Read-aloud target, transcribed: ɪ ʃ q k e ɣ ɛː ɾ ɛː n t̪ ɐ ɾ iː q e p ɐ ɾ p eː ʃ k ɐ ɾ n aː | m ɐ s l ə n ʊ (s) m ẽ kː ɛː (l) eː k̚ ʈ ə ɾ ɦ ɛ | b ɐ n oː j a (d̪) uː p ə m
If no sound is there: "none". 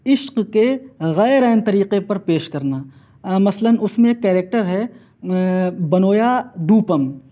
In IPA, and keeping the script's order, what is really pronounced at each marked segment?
s, ɾ, d̪

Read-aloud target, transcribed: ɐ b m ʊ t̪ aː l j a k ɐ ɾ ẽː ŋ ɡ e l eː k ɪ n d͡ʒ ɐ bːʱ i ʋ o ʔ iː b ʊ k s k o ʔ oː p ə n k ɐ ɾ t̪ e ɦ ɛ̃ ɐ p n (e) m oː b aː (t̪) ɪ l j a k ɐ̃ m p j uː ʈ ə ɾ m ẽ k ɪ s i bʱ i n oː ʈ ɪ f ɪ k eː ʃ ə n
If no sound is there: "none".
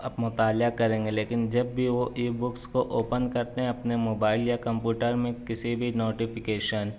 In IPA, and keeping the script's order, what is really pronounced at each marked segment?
e, none

